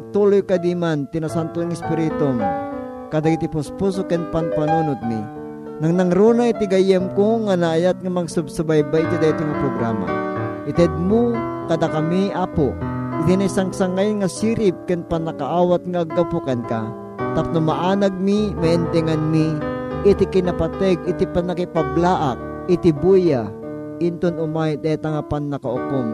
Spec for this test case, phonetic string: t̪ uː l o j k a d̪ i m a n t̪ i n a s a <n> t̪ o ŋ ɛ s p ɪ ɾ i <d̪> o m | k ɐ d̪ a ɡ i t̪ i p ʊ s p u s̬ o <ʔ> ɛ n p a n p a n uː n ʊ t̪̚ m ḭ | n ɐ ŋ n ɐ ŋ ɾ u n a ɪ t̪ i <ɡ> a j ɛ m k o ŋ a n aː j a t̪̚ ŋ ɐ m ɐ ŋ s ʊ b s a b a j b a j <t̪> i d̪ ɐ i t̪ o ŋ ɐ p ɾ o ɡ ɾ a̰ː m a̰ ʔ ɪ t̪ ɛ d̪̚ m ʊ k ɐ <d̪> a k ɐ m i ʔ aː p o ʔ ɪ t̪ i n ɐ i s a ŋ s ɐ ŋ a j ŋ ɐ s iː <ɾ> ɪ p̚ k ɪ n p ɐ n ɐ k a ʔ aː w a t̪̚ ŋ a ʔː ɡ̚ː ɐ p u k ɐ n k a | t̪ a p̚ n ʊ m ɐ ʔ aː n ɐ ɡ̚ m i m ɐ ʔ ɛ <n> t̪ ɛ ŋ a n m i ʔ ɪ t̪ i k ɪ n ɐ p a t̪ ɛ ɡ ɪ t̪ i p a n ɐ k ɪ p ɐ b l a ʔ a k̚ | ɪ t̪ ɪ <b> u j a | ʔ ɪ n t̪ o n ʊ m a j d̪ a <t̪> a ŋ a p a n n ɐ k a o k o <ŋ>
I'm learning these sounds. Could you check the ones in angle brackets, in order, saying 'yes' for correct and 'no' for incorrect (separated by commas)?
yes, no, no, yes, yes, yes, yes, yes, yes, yes, no